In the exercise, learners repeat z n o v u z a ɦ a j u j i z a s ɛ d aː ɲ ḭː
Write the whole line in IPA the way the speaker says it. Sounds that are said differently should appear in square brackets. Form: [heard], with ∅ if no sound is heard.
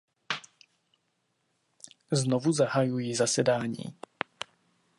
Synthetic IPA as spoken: z n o v u z a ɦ a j u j i z a s ɛ d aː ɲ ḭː